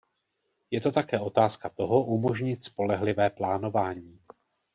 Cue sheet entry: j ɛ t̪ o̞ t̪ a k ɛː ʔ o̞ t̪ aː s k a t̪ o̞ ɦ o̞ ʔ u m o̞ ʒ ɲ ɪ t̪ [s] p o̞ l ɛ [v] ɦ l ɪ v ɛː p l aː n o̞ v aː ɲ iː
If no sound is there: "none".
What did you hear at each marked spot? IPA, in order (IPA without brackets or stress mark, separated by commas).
s, none